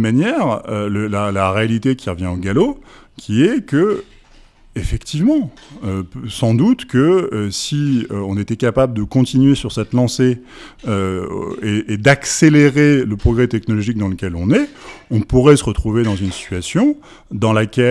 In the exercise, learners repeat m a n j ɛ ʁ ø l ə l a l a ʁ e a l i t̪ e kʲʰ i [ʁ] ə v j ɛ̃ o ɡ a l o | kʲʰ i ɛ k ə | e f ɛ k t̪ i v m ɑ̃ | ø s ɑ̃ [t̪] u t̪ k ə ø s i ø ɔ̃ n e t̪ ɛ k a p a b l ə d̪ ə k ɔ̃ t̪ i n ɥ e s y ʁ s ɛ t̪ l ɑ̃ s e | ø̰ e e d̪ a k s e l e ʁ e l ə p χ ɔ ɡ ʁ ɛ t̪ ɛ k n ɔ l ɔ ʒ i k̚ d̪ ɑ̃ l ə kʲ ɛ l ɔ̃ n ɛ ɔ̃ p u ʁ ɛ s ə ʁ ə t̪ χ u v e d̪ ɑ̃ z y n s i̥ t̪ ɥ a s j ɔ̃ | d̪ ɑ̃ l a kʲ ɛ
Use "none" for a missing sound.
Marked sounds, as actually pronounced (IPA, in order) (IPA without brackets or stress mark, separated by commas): ʁ, d̪